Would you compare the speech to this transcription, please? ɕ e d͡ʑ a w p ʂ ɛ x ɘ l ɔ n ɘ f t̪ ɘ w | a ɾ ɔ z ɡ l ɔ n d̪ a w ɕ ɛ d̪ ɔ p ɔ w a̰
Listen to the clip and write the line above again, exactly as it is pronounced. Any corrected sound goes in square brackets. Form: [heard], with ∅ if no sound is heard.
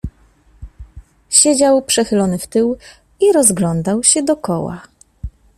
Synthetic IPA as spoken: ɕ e d͡ʑ a w p ʂ ɛ x ɘ l ɔ n ɘ f t̪ ɘ w | [i] ɾ ɔ z ɡ l ɔ n d̪ a w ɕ ɛ d̪ ɔ [k] ɔ w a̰